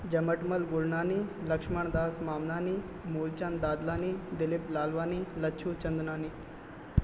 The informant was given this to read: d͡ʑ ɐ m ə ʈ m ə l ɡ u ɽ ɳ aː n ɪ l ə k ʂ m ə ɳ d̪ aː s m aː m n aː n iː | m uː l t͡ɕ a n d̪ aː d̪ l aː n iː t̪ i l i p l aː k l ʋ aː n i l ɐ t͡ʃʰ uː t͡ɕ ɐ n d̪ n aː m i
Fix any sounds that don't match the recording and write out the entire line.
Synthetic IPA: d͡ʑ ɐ m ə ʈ m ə l ɡ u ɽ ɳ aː n i l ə k ʂ m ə ɳ d̪ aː s m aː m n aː n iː | m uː l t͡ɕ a n d̪ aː d̪ l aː n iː d̪ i l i p l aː l ʋ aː n i l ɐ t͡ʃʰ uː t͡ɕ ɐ n d̪ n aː n i